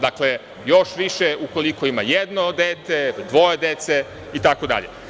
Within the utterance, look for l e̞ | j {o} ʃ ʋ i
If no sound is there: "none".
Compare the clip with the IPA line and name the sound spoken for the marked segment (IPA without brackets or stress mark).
o